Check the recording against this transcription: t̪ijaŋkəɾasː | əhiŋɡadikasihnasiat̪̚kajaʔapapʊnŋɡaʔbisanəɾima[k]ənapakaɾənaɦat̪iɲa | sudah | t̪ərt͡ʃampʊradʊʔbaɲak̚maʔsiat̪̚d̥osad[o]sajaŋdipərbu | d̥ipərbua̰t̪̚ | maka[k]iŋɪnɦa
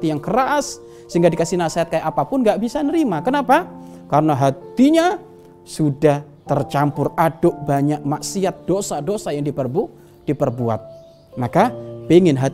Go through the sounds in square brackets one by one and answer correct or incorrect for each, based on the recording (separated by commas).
correct, correct, incorrect